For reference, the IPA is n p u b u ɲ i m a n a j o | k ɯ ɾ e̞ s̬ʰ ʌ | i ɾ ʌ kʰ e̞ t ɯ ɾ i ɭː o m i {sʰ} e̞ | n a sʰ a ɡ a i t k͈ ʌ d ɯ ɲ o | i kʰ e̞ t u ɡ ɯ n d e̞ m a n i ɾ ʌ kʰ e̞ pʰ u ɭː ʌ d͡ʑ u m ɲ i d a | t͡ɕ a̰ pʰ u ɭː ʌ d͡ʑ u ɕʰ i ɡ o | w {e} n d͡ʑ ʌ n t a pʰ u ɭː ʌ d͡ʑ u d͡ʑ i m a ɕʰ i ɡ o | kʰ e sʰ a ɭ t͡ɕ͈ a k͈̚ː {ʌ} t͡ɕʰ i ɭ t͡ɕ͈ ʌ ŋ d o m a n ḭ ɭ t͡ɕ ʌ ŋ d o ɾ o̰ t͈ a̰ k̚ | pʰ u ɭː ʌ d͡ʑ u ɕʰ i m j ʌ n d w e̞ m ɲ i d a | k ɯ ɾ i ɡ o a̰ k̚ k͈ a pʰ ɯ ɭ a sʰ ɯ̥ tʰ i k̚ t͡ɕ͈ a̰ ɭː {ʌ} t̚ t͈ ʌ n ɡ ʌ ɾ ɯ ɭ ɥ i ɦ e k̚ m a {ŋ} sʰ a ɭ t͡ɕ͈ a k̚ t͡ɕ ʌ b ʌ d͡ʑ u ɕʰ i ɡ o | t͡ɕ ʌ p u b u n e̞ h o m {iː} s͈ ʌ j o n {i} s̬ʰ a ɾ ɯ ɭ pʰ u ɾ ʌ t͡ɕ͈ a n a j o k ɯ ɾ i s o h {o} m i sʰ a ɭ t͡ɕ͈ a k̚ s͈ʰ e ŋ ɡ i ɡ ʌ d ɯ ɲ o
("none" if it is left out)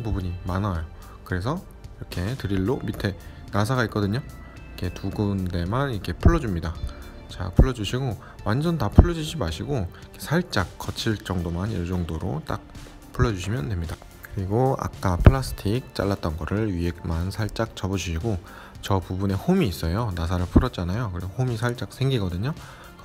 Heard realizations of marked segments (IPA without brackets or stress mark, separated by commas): tʰ, a, ʌ, a, n, iː, a, o